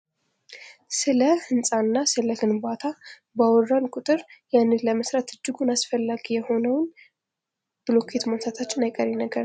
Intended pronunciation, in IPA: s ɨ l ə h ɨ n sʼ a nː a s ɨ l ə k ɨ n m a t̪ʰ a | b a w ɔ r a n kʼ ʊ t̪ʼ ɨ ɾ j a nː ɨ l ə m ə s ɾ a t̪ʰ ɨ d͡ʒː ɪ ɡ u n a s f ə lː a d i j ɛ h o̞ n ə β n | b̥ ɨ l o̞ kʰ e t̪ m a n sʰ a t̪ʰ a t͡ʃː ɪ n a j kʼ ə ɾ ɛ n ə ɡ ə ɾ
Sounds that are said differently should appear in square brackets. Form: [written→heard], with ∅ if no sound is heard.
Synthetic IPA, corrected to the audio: s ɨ l ə h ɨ n sʼ a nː a s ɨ l ə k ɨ n [m→b] a t̪ʰ a | b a w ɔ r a n kʼ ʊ t̪ʼ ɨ ɾ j a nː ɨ l ə m ə s ɾ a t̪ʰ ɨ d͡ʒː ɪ ɡ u n a s f ə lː a [d→ɡ] i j ɛ h o̞ n ə [β→w] n | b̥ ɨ l o̞ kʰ e t̪ m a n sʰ a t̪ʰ a t͡ʃː ɪ n a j kʼ ə ɾ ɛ n ə ɡ ə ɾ